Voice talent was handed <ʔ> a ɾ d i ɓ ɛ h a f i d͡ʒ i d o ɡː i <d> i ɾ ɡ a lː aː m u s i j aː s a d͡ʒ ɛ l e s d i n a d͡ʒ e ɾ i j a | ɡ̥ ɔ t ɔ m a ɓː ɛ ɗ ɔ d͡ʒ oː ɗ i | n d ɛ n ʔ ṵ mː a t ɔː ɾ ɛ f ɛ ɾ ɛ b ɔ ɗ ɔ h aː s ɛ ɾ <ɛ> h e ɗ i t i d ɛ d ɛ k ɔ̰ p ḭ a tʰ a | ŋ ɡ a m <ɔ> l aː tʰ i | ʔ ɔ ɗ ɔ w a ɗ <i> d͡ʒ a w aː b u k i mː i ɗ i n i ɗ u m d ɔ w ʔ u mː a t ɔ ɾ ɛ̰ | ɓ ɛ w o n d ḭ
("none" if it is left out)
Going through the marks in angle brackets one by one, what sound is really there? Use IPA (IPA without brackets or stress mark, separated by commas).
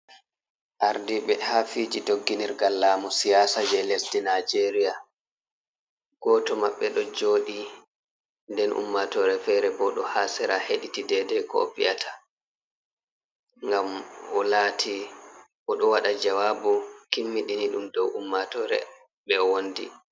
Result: ʔ, n, a, ɔ, a